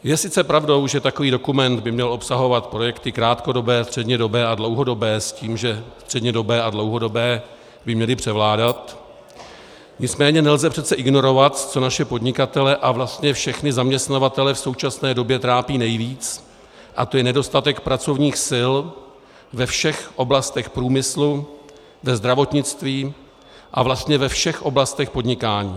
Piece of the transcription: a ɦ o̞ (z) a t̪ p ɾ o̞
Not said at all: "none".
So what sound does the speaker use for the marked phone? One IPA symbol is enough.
v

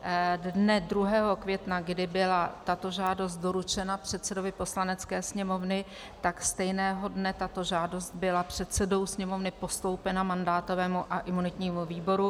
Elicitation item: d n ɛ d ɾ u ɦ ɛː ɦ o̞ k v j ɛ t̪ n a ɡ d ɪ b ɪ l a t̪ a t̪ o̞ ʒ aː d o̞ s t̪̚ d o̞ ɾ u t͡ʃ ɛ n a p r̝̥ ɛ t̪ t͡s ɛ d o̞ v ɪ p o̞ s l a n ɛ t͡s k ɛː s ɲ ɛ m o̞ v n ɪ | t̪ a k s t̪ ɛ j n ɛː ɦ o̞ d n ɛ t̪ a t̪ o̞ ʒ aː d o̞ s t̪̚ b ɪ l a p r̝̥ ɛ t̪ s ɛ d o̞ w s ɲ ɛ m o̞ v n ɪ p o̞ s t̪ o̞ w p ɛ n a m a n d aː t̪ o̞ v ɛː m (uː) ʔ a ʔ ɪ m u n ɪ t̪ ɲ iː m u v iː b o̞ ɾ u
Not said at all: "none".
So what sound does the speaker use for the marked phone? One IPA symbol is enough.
u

